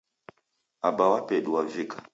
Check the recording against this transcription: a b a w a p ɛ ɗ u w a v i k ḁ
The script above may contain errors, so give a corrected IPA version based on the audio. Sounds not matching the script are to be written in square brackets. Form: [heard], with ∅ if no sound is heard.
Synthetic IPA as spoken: a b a w a p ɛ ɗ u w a v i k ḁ